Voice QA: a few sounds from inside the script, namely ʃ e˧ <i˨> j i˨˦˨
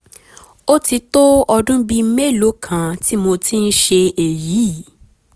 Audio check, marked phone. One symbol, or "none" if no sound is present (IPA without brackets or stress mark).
e˨